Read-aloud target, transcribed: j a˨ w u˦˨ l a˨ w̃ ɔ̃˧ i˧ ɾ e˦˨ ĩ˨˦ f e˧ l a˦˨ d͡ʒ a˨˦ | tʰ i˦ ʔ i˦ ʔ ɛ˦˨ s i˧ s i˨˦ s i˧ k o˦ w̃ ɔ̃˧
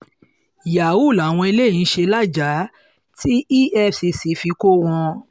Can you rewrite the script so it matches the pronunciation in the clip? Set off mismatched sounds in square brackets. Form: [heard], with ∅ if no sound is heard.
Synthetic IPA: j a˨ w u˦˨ l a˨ w̃ ɔ̃˧ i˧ [l] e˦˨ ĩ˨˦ [ʃ] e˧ l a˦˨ d͡ʒ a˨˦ | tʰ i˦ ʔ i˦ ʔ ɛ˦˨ s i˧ s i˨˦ [f] i˧ k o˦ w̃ ɔ̃˧